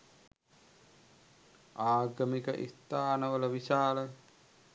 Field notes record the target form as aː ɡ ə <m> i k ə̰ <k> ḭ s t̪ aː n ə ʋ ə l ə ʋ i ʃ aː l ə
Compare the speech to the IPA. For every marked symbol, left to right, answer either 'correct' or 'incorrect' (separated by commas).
correct, incorrect